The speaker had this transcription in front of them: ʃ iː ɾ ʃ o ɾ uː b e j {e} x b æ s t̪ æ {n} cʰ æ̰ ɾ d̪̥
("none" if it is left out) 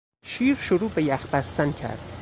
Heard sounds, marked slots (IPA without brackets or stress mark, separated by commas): æ, n